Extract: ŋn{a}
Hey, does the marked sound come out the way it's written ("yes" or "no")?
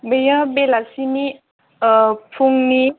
no